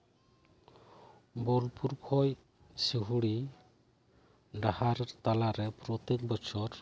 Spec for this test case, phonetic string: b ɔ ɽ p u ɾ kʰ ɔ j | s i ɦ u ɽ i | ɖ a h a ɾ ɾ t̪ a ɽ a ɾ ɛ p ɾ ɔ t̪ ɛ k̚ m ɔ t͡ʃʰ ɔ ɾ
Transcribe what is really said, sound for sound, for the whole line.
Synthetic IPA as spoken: b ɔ l p u ɾ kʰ ɔ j | s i ɦ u ɽ i | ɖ a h a ɾ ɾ t̪ a l a ɾ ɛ p ɾ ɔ t̪ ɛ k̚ b ɔ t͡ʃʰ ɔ ɾ